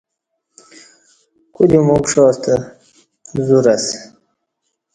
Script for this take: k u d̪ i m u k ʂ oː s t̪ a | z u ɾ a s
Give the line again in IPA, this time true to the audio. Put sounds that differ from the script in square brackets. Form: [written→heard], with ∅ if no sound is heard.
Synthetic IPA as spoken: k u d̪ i m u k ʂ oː s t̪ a | z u ɾ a s